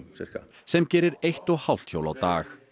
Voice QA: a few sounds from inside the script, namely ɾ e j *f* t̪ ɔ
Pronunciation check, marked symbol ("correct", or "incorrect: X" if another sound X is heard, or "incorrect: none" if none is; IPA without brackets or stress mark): incorrect: h